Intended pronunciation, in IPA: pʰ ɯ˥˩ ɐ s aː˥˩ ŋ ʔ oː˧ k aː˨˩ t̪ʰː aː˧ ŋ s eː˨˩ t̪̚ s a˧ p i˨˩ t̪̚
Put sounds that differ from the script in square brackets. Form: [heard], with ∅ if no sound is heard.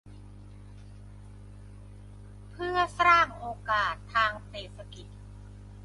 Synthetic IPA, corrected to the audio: pʰ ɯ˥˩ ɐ s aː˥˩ ŋ ʔ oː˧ k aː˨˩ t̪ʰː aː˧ ŋ s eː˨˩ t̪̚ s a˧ [k] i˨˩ t̪̚